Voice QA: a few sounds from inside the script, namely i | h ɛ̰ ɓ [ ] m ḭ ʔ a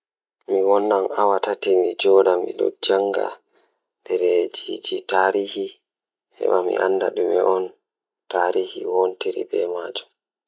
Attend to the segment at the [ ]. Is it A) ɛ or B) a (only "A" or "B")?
B